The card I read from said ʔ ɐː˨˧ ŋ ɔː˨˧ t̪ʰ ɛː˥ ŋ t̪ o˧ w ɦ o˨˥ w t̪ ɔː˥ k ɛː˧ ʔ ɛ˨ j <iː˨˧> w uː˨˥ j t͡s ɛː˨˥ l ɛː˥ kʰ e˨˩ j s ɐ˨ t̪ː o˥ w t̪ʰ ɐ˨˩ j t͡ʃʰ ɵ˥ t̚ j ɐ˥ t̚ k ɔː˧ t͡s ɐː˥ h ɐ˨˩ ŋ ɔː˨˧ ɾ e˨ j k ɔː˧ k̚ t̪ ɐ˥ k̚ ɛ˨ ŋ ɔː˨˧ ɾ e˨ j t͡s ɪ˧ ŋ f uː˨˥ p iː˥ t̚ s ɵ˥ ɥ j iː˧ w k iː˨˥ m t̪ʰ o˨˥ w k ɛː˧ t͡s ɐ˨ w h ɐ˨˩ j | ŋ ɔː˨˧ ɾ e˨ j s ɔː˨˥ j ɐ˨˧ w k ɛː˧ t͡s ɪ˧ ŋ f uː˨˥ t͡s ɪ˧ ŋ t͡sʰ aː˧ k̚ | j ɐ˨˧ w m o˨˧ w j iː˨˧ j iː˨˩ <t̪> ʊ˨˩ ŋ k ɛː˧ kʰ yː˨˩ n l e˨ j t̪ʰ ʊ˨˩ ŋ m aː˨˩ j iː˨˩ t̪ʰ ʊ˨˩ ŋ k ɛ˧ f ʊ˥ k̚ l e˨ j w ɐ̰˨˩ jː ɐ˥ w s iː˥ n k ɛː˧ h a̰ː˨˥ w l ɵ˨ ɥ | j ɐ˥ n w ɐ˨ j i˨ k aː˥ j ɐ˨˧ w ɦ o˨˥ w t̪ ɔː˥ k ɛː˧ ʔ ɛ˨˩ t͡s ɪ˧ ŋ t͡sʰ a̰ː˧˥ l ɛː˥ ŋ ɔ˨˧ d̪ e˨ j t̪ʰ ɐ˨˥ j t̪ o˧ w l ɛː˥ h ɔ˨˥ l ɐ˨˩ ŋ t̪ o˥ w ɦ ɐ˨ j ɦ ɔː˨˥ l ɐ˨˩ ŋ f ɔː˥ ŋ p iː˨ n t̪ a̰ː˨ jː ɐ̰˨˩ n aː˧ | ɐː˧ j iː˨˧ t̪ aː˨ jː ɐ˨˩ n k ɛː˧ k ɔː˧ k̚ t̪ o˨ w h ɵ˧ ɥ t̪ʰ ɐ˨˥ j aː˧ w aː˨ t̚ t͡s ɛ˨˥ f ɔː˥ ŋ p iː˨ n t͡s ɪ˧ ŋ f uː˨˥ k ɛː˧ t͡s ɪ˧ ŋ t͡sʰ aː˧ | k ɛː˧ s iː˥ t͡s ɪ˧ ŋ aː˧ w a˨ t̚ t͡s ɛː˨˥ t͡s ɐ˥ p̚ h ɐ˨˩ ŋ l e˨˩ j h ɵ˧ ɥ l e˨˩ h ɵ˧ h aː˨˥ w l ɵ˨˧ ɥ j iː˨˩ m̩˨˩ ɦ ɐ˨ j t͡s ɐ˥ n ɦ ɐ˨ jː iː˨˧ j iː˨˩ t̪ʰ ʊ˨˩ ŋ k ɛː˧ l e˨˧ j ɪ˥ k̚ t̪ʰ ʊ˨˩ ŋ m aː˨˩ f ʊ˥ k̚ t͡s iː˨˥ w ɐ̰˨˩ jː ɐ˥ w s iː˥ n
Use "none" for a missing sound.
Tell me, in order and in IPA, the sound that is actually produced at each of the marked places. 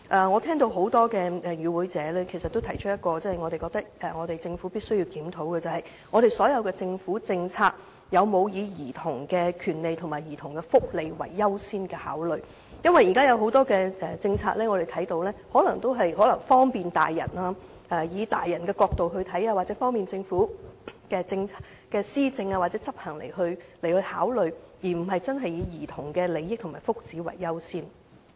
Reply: yː˨˧, t̪ʰ

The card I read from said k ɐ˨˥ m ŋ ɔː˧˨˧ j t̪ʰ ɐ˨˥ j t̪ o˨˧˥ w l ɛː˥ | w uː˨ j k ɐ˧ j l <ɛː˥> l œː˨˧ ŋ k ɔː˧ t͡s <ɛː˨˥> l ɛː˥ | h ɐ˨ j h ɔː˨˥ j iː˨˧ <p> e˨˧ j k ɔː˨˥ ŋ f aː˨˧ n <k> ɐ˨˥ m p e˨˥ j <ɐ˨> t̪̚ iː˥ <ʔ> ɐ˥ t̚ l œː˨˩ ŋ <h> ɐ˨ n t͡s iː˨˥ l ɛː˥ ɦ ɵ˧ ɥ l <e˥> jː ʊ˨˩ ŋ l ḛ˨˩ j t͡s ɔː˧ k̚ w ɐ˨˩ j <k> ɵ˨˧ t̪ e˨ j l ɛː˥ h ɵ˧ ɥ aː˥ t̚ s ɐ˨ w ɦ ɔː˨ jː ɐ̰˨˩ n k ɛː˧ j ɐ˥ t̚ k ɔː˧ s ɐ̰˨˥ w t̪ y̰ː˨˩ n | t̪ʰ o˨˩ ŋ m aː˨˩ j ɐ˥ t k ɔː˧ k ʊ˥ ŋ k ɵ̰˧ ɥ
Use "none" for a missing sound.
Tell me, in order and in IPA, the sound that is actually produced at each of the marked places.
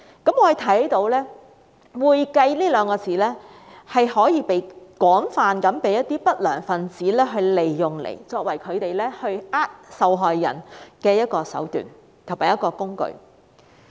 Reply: iː˥, iː˨˥, p, k, ɐ˥, p, f, e˨, kʰ

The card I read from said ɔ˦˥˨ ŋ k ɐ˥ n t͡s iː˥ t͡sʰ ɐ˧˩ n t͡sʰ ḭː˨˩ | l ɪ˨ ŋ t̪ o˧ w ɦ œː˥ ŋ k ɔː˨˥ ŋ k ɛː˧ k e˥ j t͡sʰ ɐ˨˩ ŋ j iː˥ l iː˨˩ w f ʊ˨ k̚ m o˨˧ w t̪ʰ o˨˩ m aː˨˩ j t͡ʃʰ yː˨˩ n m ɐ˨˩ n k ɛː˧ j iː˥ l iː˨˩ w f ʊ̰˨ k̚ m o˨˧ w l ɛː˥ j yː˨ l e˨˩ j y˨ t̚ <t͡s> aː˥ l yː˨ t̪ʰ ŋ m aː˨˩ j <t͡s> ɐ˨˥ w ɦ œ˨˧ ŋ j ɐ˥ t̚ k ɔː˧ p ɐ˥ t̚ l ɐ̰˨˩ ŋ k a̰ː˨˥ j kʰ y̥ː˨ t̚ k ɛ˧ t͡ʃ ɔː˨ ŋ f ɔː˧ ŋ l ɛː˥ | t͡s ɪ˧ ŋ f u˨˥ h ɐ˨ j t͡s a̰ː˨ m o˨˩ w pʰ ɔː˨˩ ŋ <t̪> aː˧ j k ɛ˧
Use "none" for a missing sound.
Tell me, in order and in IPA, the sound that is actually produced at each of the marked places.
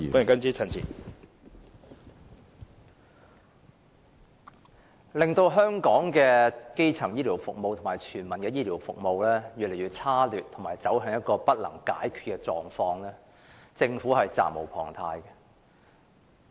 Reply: t͡sʰ, t͡s, t̪ʰ

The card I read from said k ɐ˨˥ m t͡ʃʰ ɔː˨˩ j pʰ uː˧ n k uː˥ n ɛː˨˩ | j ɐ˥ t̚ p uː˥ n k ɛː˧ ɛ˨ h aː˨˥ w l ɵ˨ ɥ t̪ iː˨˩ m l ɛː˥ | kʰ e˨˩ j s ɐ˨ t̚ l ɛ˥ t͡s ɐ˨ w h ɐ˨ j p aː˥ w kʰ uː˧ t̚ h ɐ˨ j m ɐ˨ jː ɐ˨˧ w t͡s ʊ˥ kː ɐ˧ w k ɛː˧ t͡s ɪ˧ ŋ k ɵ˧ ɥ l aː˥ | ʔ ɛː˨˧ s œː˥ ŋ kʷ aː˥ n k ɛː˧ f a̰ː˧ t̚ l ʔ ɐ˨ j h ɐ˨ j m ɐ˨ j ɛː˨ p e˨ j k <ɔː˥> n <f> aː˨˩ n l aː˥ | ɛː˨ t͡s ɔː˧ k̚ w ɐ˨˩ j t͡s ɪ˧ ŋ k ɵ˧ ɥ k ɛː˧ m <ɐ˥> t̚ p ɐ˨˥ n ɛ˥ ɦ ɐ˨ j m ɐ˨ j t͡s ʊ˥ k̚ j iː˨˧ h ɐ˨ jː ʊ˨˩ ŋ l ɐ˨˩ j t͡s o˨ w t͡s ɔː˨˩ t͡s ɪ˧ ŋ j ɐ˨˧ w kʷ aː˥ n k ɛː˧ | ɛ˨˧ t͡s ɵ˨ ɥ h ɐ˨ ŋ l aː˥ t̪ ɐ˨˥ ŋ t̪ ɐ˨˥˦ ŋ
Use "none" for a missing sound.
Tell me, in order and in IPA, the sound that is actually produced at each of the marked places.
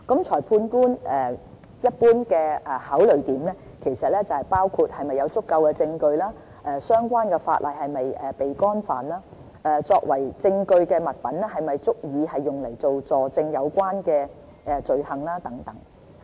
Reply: ɔː˥, f, ɐ˨

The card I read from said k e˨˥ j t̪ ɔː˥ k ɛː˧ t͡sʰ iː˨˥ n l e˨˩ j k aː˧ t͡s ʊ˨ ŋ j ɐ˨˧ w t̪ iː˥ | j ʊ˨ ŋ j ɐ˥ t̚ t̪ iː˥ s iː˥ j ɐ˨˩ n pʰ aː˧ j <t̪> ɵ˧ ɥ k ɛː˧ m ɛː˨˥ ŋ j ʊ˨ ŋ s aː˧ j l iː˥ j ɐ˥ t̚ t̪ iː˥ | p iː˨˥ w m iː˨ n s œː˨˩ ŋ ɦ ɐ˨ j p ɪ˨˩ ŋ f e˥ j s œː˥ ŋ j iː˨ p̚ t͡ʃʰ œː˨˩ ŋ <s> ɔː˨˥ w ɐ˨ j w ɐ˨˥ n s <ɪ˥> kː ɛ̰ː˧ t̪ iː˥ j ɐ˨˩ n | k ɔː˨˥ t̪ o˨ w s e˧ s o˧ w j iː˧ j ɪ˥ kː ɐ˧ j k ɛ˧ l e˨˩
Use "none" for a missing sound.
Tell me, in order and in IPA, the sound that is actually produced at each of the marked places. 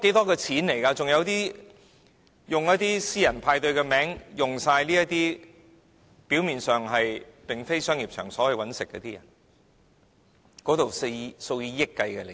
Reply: t̪, s, ɪ˨

